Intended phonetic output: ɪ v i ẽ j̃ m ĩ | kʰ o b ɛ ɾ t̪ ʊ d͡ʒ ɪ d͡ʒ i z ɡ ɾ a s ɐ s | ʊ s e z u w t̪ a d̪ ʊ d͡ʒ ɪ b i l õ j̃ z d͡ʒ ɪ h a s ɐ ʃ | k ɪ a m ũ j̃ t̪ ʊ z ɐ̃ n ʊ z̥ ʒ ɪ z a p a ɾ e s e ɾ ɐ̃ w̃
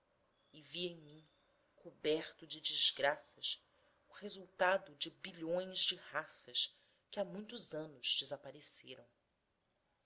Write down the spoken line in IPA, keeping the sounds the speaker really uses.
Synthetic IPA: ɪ v i ẽ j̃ m ĩ | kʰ o b ɛ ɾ t̪ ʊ d͡ʒ ɪ d͡ʒ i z ɡ ɾ a s ɐ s | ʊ h e z u w t̪ a d̪ ʊ d͡ʒ ɪ b i ʎ õ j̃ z d͡ʒ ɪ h a s ɐ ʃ | k ɪ a m ũ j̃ t̪ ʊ z ɐ̃ n ʊ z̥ d͡ʒ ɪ z a p a ɾ e s e ɾ ɐ̃ w̃